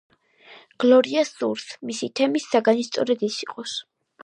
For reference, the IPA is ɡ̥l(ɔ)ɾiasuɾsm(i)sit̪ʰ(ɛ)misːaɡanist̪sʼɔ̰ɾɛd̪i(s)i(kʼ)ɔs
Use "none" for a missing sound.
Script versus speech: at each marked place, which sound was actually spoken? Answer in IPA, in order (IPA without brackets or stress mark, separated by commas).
ɔ, i, ɛ, s, qʼ